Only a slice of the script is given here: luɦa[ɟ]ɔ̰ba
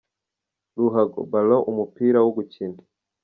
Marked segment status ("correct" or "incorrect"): incorrect